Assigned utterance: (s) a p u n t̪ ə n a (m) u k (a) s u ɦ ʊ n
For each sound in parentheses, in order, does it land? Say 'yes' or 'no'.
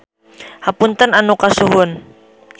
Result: no, no, yes

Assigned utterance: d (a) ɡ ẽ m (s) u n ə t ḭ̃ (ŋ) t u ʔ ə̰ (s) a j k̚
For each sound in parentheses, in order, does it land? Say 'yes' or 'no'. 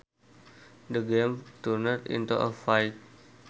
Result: no, no, no, no

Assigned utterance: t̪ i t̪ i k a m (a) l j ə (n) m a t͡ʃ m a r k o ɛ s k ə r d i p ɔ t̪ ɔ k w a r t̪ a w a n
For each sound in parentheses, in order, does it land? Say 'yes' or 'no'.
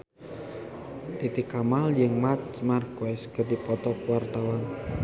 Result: yes, no

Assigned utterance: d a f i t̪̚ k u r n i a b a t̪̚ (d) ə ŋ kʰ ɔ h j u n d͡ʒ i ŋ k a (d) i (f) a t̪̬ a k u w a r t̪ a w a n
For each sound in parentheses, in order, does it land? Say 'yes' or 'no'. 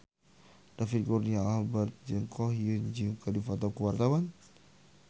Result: no, yes, yes

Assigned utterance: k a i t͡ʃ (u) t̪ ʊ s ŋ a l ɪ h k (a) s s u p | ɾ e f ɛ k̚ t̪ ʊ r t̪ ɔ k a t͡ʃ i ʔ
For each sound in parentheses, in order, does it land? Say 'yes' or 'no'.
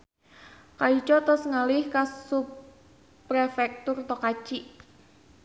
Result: no, yes

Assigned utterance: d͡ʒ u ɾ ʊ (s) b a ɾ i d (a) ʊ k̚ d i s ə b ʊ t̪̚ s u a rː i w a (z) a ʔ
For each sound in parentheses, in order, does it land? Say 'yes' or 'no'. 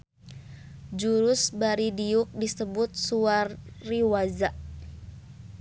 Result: yes, no, yes

